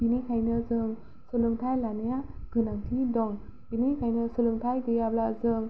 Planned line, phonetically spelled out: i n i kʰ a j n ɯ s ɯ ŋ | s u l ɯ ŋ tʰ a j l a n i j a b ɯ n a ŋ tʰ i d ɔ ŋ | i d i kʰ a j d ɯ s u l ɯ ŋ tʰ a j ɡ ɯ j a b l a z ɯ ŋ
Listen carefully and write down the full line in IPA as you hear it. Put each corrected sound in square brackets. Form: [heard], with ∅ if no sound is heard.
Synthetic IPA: i n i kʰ a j n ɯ [z] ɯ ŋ | s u l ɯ ŋ tʰ a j l a n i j a [ɡ] ɯ n a ŋ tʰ i d ɔ ŋ | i [n] i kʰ a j [n] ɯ s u l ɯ ŋ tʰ a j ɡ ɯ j a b l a z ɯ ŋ